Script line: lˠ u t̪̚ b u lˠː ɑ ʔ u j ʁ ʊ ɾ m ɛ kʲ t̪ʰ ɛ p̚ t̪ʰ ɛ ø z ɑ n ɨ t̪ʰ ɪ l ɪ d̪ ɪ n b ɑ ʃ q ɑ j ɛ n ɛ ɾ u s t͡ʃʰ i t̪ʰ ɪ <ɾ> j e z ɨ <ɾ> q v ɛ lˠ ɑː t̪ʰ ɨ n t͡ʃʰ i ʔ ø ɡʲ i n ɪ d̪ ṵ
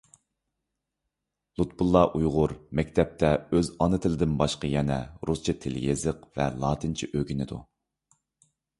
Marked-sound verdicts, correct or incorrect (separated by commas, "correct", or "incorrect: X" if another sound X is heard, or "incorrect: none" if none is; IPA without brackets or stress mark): incorrect: l, incorrect: none